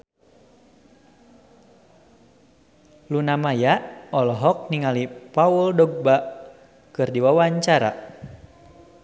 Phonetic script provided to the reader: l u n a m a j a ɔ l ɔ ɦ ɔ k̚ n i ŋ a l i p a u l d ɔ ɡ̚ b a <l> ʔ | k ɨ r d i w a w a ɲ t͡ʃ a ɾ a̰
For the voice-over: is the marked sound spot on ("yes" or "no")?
no